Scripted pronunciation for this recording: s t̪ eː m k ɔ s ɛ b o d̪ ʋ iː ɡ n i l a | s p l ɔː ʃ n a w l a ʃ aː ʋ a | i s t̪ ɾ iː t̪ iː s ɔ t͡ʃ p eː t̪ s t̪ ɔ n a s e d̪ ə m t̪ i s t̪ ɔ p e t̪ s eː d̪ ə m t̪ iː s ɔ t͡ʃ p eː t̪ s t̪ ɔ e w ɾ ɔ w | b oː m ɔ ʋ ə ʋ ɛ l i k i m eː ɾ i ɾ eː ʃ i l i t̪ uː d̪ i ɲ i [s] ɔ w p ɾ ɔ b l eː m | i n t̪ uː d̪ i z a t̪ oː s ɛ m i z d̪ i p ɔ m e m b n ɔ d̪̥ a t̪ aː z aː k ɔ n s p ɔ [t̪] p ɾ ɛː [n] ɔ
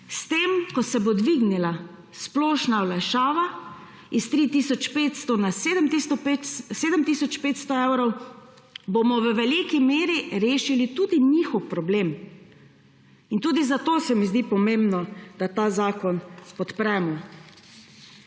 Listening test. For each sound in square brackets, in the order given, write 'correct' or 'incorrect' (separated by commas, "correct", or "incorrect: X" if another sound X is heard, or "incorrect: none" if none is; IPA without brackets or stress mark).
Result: incorrect: x, correct, incorrect: m